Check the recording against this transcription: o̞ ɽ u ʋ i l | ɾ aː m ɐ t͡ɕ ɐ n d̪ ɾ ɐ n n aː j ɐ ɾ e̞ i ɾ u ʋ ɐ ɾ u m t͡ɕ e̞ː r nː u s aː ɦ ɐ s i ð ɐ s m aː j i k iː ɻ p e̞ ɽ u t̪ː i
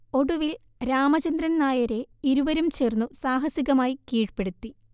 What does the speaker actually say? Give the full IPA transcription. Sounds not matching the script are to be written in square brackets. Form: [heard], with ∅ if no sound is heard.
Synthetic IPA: o̞ ɽ u ʋ i l | ɾ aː m ɐ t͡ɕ ɐ n d̪ ɾ ɐ n n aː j ɐ ɾ e̞ i ɾ u ʋ ɐ ɾ u m t͡ɕ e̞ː r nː u s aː ɦ ɐ s i [ɣ] ɐ [∅] m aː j i k iː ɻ p e̞ ɽ u t̪ː i

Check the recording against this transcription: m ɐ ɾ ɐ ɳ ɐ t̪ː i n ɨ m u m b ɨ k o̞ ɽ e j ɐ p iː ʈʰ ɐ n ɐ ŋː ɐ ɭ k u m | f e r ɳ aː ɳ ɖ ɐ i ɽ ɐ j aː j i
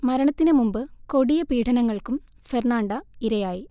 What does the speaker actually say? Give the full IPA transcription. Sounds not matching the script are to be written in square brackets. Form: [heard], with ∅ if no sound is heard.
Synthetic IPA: m ɐ ɾ ɐ ɳ ɐ t̪ː i n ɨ m u m b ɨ k o̞ ɽ [i] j ɐ p iː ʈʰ ɐ n ɐ ŋː ɐ ɭ k u m | f e r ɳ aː ɳ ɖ ɐ i [ɾ] ɐ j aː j i

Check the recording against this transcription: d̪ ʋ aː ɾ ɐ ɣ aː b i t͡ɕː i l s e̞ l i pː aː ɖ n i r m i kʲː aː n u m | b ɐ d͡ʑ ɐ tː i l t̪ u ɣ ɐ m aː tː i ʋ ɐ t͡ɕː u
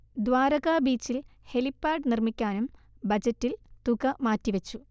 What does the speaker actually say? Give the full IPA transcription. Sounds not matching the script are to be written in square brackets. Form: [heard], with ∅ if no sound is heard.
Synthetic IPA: d̪ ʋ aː ɾ ɐ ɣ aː b [iː] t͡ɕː i l [h] e̞ l i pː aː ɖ n i r m i kʲː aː n u m | b ɐ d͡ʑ ɐ tː i l t̪ u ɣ ɐ m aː tː i ʋ ɐ t͡ɕː u

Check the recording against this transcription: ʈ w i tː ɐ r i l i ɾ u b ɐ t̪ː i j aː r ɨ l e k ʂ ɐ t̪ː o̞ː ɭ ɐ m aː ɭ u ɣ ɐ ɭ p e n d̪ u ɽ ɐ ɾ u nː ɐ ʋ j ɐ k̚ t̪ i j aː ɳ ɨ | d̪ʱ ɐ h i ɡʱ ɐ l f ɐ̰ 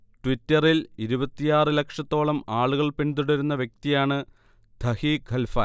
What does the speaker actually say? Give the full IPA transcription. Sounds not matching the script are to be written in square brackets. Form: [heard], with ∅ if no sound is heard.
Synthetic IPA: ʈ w i tː ɐ r i l i ɾ u b ɐ t̪ː i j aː r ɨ l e k ʂ ɐ t̪ː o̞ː ɭ ɐ m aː ɭ u ɣ ɐ ɭ p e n d̪ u ɽ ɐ ɾ u nː ɐ ʋ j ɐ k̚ t̪ i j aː ɳ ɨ | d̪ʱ ɐ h i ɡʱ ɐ l f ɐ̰

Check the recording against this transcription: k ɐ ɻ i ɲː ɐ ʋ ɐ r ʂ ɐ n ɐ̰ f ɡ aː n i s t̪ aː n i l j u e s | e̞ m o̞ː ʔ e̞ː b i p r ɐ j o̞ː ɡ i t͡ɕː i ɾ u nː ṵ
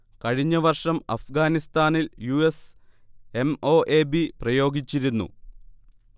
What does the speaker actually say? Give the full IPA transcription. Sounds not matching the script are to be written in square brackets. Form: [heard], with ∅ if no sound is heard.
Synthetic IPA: k ɐ ɻ i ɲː ɐ ʋ ɐ r ʂ ɐ [m] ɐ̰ f ɡ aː n i s t̪ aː n i l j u e s | e̞ m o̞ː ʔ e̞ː b i p r ɐ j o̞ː ɡ i t͡ɕː i ɾ u nː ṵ

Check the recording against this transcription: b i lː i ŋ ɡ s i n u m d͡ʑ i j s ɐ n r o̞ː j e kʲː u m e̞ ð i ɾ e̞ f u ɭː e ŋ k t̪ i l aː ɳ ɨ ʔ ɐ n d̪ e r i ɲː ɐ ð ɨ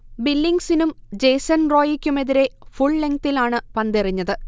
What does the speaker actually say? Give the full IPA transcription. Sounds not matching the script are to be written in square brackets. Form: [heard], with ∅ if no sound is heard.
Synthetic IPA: b i lː i ŋ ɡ s i n u m d͡ʑ [e] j s ɐ n r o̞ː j [i] kʲː u m e̞ ð i ɾ e̞ f u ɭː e ŋ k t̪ i l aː ɳ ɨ [p] ɐ n d̪ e r i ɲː ɐ ð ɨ

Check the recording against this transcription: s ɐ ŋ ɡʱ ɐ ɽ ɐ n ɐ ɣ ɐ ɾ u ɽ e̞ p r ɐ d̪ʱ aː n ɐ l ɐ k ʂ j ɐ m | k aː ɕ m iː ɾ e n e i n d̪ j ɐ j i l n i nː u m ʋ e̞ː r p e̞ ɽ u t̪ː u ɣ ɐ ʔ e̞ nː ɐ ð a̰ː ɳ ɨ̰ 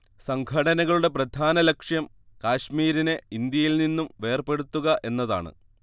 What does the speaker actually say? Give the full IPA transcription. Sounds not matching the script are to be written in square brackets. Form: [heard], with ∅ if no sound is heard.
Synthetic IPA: s ɐ ŋ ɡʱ ɐ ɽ ɐ n ɐ ɣ ɐ [ɭ] u ɽ e̞ p r ɐ d̪ʱ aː n ɐ l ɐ k ʂ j ɐ m | k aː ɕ m iː ɾ [i] n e i n d̪ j ɐ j i l n i nː u m ʋ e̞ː r p e̞ ɽ u t̪ː u ɣ ɐ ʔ e̞ nː ɐ ð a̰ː ɳ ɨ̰

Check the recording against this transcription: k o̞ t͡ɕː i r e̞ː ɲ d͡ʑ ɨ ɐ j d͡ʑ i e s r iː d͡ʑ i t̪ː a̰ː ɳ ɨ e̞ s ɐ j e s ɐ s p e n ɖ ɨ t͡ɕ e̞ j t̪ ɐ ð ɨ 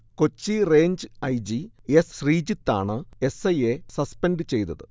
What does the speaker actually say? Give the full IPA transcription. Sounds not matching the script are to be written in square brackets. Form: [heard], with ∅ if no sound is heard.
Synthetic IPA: k o̞ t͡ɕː i r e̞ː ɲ d͡ʑ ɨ ɐ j d͡ʑ i e s r iː d͡ʑ i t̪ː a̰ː ɳ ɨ e̞ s ɐ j e s ɐ s p e n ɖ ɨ t͡ɕ e̞ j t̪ ɐ ð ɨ

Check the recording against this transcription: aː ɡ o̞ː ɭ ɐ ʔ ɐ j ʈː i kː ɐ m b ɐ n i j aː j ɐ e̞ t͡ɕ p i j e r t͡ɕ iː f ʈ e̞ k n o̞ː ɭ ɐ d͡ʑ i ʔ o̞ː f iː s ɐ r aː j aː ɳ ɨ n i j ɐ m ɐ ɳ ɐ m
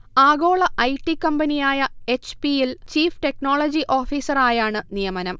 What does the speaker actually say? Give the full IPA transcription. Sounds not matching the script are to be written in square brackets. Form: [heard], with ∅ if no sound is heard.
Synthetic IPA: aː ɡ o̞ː ɭ ɐ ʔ ɐ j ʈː i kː ɐ m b ɐ n i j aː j ɐ e̞ t͡ɕ p i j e [l] t͡ɕ iː f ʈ e̞ k n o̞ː ɭ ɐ d͡ʑ i ʔ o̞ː f iː s ɐ r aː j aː ɳ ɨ n i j ɐ m ɐ [n] ɐ m

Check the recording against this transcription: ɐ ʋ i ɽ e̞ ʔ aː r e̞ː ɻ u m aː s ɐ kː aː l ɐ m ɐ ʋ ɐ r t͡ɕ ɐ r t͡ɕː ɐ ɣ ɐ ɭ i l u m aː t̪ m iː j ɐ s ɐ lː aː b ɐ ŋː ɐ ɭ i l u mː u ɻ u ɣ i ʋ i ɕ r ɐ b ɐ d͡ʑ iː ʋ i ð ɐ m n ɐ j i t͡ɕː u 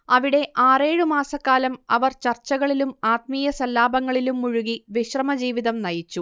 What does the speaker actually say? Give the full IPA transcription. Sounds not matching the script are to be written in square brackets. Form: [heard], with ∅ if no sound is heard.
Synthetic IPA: ɐ ʋ i ɽ e̞ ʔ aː r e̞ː ɻ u m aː s ɐ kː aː l ɐ m ɐ ʋ ɐ r t͡ɕ ɐ r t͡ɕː ɐ ɣ ɐ ɭ i l u m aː t̪ m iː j ɐ s ɐ lː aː b ɐ ŋː ɐ ɭ i l u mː u ɻ u ɣ i ʋ i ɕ r ɐ [m] ɐ d͡ʑ iː ʋ i ð ɐ m n ɐ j i t͡ɕː u

